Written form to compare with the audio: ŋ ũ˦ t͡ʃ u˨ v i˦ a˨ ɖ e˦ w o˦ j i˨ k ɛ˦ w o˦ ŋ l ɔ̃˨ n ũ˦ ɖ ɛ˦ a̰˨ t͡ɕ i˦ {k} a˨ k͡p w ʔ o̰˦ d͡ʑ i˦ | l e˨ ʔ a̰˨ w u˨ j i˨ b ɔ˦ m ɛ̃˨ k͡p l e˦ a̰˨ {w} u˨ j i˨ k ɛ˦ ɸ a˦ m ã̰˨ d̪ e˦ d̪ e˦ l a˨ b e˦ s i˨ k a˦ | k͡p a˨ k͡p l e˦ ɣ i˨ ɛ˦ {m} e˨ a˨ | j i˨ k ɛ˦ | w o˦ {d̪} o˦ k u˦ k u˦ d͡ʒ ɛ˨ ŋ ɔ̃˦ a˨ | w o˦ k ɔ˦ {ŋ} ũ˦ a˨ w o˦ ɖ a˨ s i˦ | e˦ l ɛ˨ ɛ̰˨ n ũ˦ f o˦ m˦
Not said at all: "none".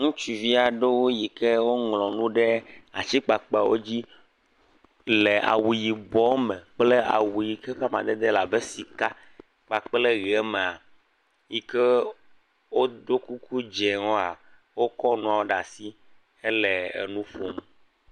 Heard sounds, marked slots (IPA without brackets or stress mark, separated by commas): k͡p, w, m, d̪, n